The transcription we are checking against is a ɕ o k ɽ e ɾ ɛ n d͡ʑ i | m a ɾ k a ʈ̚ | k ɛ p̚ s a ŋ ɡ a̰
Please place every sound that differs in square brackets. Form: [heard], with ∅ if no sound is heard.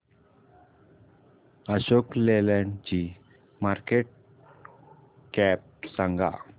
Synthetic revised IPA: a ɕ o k [l] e [l] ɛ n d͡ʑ i | m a ɾ k [e] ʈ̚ | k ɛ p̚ s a ŋ ɡ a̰